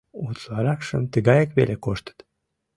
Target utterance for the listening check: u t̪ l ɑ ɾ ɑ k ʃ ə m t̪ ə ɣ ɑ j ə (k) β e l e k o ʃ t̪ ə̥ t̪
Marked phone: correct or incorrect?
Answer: correct